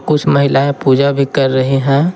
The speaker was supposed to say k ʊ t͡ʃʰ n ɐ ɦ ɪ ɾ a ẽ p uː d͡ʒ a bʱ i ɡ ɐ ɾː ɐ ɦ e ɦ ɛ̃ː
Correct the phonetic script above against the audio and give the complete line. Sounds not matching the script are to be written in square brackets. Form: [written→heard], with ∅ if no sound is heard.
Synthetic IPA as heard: k ʊ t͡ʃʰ [n→m] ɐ ɦ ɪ [ɾ→l] a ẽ p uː d͡ʒ a bʱ i [ɡ→k] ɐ ɾː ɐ ɦ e ɦ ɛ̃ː